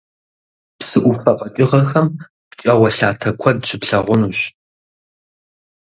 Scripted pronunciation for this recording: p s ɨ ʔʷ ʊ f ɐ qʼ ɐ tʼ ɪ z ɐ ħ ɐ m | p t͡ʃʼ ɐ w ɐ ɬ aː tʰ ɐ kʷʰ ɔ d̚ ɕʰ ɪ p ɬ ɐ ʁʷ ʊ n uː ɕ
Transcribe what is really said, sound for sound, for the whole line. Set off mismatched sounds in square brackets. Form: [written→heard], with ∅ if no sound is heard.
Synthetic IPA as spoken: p s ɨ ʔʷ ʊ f ɐ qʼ ɐ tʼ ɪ [z→ʁ] ɐ [ħ→x] ɐ m | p t͡ʃʼ ɐ w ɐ ɬ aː tʰ ɐ kʷʰ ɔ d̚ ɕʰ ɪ p ɬ ɐ ʁʷ ʊ n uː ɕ